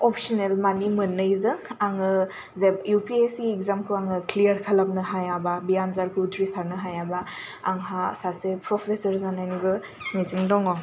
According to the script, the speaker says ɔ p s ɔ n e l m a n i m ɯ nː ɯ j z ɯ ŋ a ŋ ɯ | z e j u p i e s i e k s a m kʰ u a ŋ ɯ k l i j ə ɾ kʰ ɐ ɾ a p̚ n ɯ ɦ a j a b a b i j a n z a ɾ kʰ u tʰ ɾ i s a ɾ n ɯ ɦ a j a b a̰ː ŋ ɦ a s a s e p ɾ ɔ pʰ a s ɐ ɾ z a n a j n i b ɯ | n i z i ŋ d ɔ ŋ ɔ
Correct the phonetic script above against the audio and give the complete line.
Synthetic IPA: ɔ p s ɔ n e l m a n i m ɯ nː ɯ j z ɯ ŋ a ŋ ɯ | z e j u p i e s i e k z a m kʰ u a ŋ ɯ k l i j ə ɾ kʰ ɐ l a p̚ n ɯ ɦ a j a b a b i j a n z a ɾ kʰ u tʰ ɾ i s a ɾ n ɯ ɦ a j a b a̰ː ŋ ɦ a s a s e p ɾ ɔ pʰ e s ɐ ɾ z a n a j n i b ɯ | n i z i ŋ d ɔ ŋ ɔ